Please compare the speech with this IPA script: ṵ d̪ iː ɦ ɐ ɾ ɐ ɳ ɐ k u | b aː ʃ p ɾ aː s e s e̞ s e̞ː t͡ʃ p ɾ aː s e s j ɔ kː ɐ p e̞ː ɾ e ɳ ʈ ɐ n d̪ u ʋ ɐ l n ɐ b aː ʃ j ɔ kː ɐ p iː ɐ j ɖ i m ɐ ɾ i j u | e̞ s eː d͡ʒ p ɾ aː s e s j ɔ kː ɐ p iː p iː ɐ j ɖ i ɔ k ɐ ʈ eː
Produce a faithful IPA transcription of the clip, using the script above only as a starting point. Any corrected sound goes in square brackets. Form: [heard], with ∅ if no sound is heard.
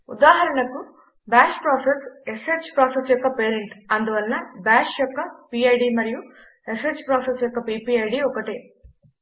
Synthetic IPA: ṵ d̪ [aː] ɦ ɐ ɾ ɐ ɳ ɐ k u | b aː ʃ p ɾ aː s e s e̞ s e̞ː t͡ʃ p ɾ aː s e s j ɔ kː ɐ p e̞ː ɾ e ɳ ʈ ɐ n d̪ u ʋ ɐ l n ɐ b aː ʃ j ɔ kː ɐ p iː ɐ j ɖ i m ɐ ɾ i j u | e̞ s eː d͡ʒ p ɾ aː s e s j ɔ kː ɐ p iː p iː ɐ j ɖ i ɔ k ɐ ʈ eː

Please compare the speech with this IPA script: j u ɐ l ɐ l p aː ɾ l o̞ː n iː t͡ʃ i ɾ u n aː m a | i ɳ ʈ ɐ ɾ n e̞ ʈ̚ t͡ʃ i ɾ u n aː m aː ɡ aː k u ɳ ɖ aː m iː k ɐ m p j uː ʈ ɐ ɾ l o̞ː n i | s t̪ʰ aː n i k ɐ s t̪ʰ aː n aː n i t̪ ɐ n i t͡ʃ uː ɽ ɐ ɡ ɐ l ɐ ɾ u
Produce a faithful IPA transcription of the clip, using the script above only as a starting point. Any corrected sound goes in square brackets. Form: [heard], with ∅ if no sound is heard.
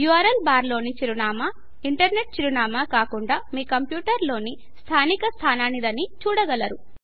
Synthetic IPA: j u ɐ [ɾ] ɐ l [b] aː ɾ l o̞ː n [i] t͡ʃ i ɾ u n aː m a | i ɳ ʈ ɐ ɾ n e̞ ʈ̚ t͡ʃ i ɾ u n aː m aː [k] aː k u ɳ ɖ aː m iː k ɐ m p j uː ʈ ɐ ɾ l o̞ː n i | s t̪ʰ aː n i k ɐ s t̪ʰ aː n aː n i [d̪] ɐ n i t͡ʃ uː ɽ ɐ ɡ ɐ l ɐ ɾ u

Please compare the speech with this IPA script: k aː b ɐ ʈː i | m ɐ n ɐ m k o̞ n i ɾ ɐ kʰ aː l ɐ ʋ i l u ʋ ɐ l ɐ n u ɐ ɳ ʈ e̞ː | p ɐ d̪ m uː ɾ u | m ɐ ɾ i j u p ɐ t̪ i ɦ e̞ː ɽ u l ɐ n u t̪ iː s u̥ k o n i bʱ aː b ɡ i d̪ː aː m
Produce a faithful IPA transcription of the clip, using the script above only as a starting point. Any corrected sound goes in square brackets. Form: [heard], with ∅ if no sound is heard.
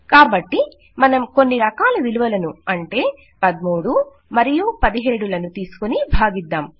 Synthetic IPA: k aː b ɐ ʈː i | m ɐ n ɐ m k o̞ [nː] i ɾ ɐ [k] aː l ɐ ʋ i l u ʋ ɐ l ɐ n u ɐ ɳ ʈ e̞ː | p ɐ d̪ m uː [ɽ] u | m ɐ ɾ i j u p ɐ [d̪] i ɦ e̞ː ɽ u l ɐ n u t̪ iː s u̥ k o n i bʱ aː [∅] ɡ i d̪ː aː m

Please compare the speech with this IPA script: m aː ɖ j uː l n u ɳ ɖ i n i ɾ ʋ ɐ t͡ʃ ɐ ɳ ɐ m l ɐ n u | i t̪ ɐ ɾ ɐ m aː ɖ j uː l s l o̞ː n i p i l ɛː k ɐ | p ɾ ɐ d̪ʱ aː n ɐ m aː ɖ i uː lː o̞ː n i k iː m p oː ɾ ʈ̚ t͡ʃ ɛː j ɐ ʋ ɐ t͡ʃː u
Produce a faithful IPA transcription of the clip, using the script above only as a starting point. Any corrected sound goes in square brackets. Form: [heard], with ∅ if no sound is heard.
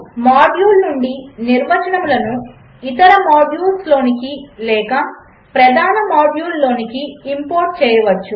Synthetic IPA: m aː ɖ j uː l n u ɳ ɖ i n i ɾ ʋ ɐ t͡ʃ ɐ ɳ ɐ m l ɐ n u | i t̪ ɐ ɾ ɐ m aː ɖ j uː l s l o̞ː n i [k] i l ɛː k ɐ | p ɾ ɐ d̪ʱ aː n ɐ m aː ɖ [j] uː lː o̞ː n i k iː m p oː ɾ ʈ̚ t͡ʃ ɛː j ɐ ʋ ɐ t͡ʃː u

